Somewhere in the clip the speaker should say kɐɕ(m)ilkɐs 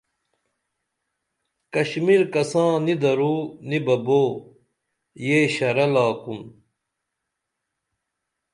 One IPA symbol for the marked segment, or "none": m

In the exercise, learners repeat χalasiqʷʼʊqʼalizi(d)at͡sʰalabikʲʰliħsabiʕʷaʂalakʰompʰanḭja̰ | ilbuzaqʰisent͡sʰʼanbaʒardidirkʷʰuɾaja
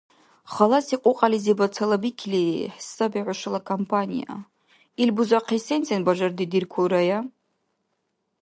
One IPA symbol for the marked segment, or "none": b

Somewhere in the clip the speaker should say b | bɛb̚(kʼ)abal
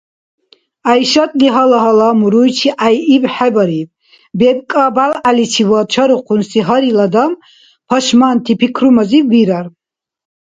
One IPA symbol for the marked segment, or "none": kʼ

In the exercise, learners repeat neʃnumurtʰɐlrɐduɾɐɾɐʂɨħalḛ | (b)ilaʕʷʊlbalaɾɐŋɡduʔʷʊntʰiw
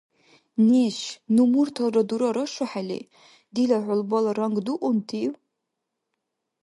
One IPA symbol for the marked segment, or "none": d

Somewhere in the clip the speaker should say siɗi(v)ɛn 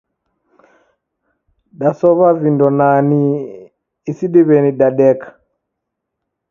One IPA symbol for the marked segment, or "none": β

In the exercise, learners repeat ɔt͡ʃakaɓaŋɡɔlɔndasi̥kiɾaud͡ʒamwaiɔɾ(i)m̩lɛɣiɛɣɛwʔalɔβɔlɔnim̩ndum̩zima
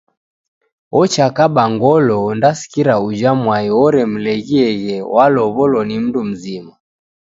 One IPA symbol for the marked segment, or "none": ɛ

